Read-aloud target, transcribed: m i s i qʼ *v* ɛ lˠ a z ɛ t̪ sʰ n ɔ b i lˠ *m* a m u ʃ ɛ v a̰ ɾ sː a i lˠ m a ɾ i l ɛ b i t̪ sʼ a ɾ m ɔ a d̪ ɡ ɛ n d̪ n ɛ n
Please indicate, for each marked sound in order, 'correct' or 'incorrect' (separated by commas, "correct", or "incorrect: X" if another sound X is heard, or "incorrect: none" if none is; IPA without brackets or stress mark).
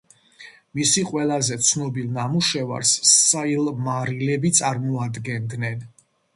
incorrect: w, incorrect: n